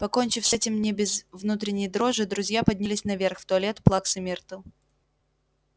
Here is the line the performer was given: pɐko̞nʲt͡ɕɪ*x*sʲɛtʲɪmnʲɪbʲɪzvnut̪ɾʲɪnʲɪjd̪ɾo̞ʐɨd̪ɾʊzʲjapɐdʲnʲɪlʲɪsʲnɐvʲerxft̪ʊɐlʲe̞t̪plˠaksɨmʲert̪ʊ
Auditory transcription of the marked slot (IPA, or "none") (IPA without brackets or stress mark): f